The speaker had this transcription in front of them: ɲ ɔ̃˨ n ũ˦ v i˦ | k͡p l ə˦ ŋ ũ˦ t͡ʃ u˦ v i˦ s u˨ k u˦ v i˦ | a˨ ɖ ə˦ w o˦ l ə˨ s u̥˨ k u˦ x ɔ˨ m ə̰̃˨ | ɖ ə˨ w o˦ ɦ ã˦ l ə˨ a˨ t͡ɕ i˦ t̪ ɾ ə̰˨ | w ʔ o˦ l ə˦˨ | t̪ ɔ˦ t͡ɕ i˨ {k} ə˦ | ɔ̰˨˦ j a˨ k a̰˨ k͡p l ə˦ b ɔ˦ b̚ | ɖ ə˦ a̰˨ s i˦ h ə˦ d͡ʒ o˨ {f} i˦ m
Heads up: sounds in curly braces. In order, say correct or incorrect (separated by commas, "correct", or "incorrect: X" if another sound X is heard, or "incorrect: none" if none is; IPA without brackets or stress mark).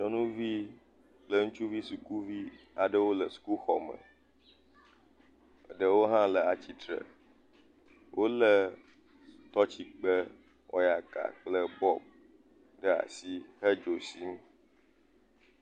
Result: incorrect: k͡p, incorrect: s